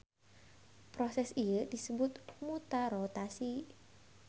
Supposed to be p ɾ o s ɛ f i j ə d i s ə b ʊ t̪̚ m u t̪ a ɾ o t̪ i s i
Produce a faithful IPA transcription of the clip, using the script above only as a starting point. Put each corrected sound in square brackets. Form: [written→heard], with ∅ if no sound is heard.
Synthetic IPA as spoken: p ɾ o s ɛ [f→s] i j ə d i s ə b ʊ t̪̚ m u t̪ a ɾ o t̪ [i→a] s i